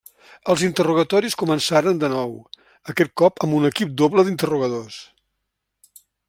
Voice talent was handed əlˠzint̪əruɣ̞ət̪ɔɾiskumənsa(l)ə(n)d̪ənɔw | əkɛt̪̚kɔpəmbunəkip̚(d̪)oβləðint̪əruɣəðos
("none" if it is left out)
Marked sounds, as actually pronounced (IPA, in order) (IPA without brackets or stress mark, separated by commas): ɾ, n, d̪